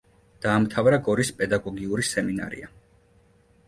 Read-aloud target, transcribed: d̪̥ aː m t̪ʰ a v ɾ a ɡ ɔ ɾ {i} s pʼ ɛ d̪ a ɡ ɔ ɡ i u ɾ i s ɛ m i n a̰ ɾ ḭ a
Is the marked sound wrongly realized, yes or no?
no